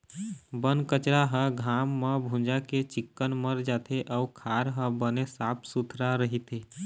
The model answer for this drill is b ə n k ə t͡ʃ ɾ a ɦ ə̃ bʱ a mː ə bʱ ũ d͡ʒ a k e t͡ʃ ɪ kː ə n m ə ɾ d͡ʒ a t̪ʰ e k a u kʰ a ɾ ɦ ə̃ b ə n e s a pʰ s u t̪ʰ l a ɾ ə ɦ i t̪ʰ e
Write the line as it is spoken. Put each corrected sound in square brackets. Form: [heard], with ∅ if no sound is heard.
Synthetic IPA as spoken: b ə n k ə t͡ʃ ɾ a ɦ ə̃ [ɡʱ] a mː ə bʱ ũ d͡ʒ a k e t͡ʃ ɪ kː ə n m ə ɾ d͡ʒ a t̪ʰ e [ʔ] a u kʰ a ɾ ɦ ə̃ b ə n e s a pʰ s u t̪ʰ [ɾ] a ɾ ə ɦ i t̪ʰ e